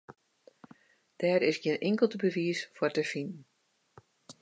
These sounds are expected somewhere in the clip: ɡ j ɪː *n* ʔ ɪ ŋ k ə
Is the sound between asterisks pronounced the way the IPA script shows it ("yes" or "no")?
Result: yes